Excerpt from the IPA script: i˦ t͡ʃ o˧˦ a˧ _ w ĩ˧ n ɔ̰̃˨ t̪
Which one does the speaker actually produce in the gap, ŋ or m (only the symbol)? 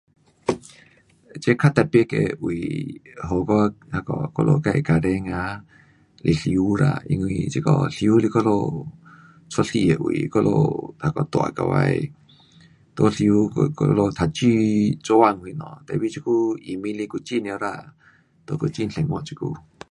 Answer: ŋ